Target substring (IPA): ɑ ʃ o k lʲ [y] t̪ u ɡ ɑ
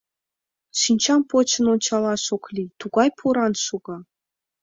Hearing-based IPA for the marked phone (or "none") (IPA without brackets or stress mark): i